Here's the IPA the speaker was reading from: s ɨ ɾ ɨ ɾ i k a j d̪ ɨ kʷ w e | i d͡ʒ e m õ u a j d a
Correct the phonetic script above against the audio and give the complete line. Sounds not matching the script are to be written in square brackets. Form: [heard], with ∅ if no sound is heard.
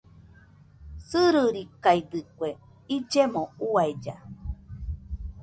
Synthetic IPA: s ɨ ɾ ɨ ɾ i k a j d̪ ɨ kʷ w e | i d͡ʒ e m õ u a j [d͡ʒ] a